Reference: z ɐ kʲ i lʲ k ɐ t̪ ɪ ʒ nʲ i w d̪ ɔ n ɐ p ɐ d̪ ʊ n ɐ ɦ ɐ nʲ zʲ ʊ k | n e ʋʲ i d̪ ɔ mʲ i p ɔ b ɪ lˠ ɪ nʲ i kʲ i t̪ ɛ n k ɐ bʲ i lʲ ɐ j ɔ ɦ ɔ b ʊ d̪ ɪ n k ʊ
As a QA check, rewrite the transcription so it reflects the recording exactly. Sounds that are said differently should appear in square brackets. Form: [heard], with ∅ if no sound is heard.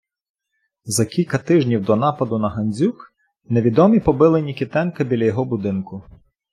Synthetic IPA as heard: z ɐ kʲ i lʲ k ɐ t̪ ɪ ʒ nʲ i w d̪ ɔ n [ɑ] p ɐ d̪ ʊ n ɐ ɦ ɐ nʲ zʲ [u] k | n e ʋʲ i d̪ ɔ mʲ i p ɔ b ɪ lˠ ɪ nʲ i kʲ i t̪ ɛ n k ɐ bʲ i lʲ ɐ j ɔ ɦ ɔ b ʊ d̪ ɪ n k ʊ